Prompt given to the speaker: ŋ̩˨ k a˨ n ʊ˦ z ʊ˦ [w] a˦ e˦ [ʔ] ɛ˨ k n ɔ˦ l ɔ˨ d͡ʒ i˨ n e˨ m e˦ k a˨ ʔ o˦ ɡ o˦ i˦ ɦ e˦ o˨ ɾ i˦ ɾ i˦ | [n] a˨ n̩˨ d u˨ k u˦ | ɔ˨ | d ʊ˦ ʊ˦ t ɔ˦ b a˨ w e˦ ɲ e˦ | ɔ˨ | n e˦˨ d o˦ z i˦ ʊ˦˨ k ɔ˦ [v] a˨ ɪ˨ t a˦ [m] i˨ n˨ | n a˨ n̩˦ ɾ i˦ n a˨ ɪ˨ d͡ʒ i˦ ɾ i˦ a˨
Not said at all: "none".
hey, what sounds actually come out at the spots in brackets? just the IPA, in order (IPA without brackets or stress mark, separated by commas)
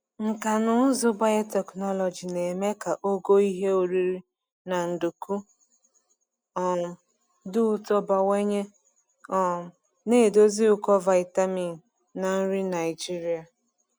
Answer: b, t, n, v, m